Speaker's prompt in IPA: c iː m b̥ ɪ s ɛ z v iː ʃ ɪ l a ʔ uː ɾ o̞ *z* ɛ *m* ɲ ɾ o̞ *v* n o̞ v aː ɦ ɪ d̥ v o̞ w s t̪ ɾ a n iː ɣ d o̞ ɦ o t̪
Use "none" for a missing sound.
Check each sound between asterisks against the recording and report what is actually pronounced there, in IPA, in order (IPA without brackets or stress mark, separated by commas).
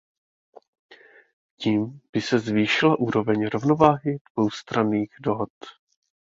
v, none, v